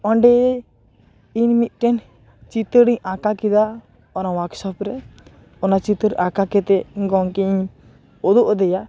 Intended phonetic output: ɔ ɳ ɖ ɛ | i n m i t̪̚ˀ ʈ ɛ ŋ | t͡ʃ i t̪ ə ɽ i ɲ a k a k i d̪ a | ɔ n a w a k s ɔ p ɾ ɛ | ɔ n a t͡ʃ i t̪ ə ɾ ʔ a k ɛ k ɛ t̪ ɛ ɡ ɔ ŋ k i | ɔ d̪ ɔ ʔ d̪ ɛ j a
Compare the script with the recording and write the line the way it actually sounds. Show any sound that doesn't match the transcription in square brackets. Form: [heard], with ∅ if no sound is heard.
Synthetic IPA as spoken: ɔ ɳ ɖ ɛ | i n m i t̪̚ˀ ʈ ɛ [n] | t͡ʃ i t̪ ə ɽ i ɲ a k a k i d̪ a | ɔ n a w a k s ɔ p ɾ ɛ | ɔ n a t͡ʃ i t̪ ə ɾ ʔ a k [a] k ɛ t̪ ɛ ɡ ɔ ŋ k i | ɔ d̪ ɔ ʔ d̪ ɛ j a